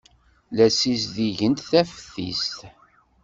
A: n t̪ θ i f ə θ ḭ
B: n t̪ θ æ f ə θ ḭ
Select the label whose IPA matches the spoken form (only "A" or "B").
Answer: B